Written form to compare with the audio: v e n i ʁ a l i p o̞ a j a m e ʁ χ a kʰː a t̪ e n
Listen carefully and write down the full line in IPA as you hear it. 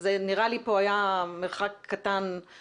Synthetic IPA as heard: z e n i ʁ a l i p o̞ a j a m e ʁ χ a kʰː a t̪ a n